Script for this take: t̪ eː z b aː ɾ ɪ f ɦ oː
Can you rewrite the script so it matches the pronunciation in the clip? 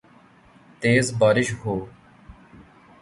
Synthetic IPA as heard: t̪ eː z b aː ɾ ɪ ʃ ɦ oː